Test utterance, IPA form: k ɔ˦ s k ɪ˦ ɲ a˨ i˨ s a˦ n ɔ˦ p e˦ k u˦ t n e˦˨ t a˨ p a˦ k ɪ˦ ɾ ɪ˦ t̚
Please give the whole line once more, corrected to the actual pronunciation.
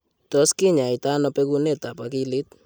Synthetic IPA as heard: t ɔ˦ s k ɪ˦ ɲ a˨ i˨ t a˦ n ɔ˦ p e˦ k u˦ n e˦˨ t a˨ p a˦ k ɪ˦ l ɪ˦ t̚